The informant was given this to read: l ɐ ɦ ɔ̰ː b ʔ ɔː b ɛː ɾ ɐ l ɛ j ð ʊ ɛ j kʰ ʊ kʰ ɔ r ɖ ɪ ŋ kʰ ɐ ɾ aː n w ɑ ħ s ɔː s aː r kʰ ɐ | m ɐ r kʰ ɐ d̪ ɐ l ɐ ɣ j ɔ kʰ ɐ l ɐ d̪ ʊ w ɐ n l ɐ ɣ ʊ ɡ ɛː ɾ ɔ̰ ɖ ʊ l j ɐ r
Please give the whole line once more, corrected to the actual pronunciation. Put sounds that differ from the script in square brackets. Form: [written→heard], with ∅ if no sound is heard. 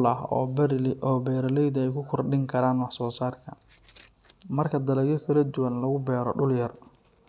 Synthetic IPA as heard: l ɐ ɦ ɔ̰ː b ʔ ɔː b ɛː ɾ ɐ l ɛ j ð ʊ ɛ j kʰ ʊ kʰ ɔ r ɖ ɪ ŋ kʰ ɐ ɾ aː n w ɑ ħ s ɔː s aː r kʰ ɐ | m ɐ r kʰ ɐ d̪ ɐ l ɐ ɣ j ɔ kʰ ɐ l ɐ d̪ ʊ w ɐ n l ɐ ɣ ʊ [ɡ→b] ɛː ɾ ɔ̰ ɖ ʊ l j ɐ r